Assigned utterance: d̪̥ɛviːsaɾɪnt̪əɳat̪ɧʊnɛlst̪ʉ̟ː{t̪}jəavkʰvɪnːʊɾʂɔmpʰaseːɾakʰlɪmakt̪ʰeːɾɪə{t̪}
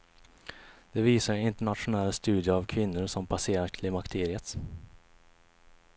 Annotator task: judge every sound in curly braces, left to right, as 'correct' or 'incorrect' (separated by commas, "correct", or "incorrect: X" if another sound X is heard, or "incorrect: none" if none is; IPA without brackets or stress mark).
incorrect: d̪, correct